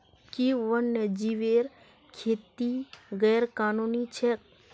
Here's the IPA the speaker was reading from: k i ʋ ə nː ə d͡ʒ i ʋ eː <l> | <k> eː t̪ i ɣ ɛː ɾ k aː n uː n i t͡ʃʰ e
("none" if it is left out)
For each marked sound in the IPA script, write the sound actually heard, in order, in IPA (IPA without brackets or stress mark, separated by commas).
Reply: ɾ, kʰ